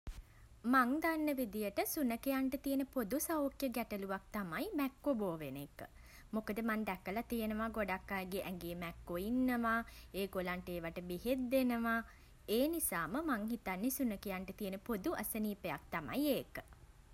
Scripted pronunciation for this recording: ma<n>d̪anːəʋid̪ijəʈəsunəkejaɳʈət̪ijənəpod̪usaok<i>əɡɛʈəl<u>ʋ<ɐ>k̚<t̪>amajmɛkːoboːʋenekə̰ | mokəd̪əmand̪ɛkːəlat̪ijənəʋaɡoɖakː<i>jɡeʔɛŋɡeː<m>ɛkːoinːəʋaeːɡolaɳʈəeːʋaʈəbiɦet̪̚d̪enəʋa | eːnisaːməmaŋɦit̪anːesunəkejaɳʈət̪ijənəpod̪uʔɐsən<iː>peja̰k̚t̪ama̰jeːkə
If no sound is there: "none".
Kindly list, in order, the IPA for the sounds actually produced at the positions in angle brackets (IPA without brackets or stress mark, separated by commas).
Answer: ŋ, j, u, a, t̪, a, m, iː